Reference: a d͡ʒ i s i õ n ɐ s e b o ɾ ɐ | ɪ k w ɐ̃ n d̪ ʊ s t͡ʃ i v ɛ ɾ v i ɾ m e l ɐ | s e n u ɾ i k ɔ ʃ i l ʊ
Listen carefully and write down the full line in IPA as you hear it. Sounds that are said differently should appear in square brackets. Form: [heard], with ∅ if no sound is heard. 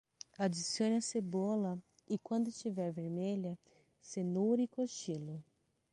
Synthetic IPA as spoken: a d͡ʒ i s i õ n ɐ s e b o [l] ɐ | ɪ k w ɐ̃ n d̪ ʊ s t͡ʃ i v ɛ ɾ v [e] ɾ m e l ɐ | s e n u ɾ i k [o] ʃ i l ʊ